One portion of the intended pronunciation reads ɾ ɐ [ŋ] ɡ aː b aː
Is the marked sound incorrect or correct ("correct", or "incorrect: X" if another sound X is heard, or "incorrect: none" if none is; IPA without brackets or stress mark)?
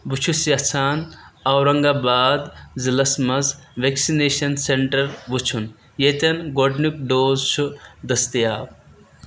correct